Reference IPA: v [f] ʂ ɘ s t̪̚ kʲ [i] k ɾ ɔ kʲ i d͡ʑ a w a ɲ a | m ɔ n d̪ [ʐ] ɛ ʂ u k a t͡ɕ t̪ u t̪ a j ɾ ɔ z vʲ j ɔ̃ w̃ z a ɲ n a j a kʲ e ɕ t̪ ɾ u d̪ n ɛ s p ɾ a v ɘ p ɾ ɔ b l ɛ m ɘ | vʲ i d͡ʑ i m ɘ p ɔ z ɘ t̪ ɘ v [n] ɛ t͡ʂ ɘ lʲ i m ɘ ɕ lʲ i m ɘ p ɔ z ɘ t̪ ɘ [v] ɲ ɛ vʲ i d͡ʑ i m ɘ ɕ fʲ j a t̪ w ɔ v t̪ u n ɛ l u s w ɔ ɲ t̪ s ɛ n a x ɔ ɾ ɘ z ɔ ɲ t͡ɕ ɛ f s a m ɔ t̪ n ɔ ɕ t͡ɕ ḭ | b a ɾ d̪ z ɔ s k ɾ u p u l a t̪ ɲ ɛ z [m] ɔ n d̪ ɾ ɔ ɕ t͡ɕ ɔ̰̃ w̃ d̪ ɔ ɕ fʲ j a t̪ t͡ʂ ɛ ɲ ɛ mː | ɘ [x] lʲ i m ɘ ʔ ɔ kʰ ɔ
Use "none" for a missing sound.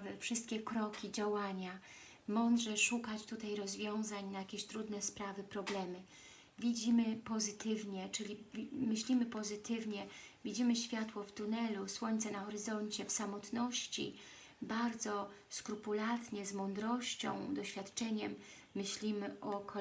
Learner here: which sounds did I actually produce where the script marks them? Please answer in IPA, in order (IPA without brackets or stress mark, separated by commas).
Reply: f, ɛ, ʐ, ɲ, v, m, ɕ